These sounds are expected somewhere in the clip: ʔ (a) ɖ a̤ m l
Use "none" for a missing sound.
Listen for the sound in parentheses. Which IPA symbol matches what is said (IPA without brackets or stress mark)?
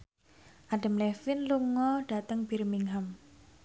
a